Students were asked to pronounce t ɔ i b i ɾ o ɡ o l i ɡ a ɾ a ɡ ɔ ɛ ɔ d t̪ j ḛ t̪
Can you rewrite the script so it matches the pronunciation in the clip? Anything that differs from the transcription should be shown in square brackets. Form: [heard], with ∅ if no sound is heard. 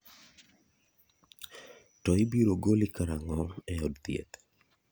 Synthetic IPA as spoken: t ɔ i b i ɾ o ɡ o l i [k] a ɾ a [ŋ] ɔ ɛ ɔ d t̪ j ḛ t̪